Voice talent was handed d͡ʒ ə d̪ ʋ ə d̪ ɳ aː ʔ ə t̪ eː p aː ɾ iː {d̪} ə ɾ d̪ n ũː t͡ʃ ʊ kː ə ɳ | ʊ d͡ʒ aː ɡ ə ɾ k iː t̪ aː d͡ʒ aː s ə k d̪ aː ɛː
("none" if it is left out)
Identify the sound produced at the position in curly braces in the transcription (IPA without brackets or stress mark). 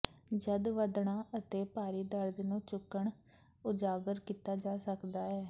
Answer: d̪